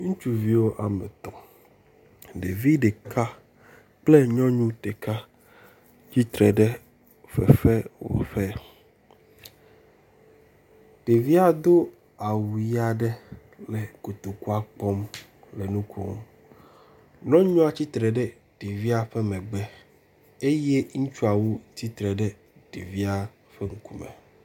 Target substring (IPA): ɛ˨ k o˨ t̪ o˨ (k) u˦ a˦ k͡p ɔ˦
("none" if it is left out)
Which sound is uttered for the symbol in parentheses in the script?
k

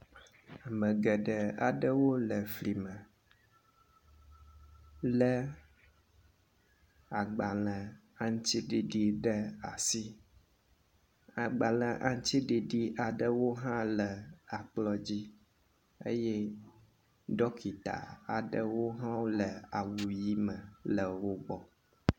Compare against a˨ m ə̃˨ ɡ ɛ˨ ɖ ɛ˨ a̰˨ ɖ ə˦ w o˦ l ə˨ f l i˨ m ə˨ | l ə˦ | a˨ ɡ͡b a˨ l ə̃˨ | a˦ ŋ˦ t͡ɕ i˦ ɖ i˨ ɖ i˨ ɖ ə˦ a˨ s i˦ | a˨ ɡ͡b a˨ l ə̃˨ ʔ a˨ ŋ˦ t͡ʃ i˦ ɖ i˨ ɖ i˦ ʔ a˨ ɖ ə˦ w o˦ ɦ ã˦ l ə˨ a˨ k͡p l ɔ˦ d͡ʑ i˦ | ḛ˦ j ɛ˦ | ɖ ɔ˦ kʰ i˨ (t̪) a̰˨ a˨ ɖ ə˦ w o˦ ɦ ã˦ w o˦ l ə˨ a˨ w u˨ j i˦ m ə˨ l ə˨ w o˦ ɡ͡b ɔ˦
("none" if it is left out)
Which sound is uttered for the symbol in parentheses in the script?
t̪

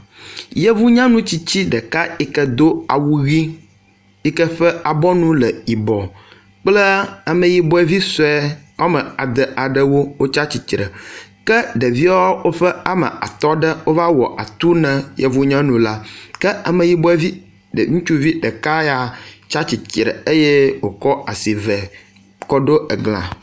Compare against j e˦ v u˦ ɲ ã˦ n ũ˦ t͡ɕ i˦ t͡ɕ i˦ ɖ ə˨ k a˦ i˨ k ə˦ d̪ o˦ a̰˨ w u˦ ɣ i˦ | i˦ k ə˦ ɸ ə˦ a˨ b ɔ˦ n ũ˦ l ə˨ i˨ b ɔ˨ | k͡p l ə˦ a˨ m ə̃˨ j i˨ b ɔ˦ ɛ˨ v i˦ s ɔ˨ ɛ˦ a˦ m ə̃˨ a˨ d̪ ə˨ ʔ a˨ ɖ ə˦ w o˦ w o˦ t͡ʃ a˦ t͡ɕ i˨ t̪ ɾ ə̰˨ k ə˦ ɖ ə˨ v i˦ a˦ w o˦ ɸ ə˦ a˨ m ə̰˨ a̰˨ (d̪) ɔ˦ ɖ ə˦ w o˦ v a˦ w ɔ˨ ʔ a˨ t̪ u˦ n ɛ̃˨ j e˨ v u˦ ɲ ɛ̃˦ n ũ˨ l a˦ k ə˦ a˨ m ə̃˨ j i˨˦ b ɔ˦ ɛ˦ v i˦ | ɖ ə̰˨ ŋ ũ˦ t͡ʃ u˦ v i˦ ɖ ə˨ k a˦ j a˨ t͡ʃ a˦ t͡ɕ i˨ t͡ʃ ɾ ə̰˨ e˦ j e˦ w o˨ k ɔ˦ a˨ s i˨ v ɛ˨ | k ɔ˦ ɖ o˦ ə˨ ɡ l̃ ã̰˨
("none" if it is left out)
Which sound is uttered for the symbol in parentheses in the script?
t̪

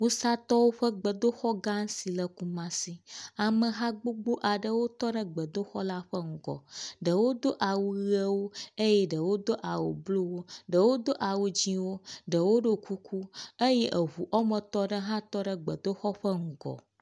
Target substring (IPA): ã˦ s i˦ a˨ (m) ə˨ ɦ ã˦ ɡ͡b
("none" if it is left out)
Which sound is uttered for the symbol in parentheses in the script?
m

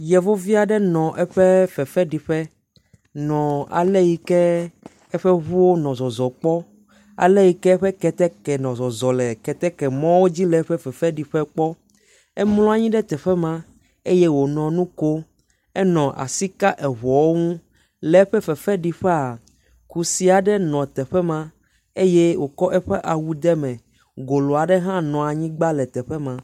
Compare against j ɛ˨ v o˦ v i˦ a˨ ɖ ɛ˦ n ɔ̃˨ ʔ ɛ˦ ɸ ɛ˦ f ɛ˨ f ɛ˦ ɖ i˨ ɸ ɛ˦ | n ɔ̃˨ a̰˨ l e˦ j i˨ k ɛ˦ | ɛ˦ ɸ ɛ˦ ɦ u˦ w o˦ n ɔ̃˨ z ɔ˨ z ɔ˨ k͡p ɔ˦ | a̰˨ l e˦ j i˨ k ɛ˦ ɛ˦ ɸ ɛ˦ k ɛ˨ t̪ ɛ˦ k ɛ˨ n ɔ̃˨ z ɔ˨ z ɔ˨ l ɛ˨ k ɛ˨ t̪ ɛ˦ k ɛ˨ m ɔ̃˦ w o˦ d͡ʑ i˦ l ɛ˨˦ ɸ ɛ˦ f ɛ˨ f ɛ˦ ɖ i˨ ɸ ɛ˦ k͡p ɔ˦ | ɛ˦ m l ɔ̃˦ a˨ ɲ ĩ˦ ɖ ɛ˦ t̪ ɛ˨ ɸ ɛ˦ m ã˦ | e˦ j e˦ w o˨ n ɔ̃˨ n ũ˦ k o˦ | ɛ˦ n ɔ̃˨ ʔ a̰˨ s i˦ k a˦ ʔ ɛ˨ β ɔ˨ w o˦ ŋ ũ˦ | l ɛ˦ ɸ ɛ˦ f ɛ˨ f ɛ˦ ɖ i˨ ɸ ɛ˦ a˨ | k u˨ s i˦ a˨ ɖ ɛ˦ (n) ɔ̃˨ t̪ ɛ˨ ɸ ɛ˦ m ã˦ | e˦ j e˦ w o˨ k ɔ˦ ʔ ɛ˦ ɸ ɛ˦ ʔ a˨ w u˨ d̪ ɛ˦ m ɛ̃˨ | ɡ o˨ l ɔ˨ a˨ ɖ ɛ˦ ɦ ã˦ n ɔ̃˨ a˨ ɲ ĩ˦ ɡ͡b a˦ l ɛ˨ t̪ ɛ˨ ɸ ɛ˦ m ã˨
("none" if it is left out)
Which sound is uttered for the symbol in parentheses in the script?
n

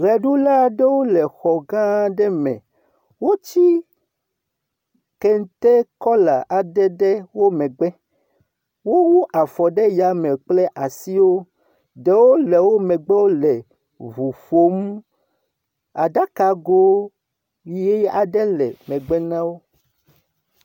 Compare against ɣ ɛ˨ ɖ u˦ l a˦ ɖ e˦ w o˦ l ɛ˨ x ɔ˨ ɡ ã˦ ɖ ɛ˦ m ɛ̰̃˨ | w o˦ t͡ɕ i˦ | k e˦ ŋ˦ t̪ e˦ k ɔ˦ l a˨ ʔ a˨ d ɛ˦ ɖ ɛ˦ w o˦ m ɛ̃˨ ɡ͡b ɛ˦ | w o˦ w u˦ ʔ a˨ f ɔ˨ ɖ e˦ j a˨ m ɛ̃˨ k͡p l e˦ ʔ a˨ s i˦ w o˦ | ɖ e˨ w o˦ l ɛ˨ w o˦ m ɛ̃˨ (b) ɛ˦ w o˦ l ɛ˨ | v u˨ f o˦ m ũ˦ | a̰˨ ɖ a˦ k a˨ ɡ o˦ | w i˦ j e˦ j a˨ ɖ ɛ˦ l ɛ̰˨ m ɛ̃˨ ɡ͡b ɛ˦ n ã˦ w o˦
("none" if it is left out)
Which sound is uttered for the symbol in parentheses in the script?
ɡ͡b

